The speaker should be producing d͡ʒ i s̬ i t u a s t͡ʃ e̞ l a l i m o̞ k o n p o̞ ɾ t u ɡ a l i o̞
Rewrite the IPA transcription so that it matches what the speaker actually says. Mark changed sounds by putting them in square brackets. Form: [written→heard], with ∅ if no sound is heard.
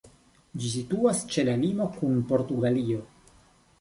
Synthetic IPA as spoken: d͡ʒ i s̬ i t u a s t͡ʃ e̞ l a l i m o̞ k [o→u] n p o̞ ɾ t u ɡ a l i o̞